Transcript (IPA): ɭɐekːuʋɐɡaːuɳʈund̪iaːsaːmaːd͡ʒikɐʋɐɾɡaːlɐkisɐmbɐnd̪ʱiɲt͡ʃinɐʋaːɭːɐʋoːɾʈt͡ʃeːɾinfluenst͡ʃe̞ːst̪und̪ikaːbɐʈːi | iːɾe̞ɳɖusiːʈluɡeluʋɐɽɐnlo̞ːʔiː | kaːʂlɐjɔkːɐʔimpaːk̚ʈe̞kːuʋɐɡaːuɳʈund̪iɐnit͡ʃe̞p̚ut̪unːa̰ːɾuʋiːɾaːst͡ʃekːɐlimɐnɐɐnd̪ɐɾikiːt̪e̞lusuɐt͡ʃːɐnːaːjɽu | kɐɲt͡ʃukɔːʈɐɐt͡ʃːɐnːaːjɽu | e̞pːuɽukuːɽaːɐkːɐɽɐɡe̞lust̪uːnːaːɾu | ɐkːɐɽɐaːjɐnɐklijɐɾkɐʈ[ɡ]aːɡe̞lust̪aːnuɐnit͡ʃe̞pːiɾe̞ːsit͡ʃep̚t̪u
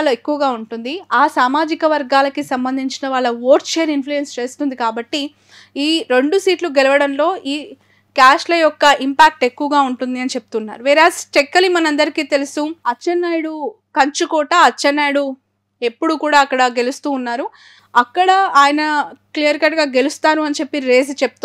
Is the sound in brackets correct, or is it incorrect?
correct